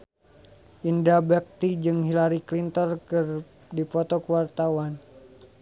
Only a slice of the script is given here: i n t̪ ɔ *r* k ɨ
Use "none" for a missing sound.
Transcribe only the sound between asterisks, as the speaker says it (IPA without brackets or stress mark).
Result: r